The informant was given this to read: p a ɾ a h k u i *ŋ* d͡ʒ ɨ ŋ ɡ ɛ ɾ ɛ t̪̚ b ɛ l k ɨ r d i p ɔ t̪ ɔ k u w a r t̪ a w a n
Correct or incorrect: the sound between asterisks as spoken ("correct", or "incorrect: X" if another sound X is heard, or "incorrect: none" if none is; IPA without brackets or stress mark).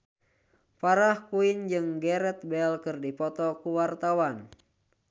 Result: incorrect: n